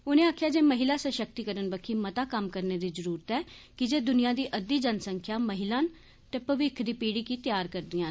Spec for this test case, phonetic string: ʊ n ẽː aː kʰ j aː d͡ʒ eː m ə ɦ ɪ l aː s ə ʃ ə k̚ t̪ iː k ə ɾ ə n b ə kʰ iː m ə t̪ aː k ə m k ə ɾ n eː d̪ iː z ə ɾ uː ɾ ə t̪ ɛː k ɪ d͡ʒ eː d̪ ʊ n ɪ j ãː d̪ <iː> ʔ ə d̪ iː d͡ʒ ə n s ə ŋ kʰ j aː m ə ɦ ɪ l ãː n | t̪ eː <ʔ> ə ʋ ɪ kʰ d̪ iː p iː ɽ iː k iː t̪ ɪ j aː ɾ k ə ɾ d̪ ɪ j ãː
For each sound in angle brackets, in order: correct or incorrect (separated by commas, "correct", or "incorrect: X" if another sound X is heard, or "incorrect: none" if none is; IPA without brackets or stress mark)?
correct, incorrect: p